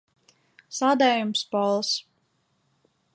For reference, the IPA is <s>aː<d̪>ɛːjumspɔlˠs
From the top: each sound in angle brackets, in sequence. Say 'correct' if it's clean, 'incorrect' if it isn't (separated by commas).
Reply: correct, correct